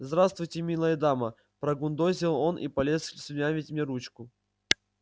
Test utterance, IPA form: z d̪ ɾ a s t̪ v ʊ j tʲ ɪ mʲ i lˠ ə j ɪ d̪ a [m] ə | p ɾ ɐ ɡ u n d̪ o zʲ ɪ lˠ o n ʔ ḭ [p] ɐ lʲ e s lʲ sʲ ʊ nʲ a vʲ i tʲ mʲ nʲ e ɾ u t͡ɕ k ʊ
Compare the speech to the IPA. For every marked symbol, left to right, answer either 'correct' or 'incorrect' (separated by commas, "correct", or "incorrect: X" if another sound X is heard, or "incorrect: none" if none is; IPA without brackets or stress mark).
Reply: correct, correct